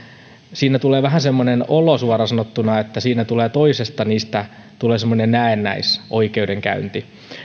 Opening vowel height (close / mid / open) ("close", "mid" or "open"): close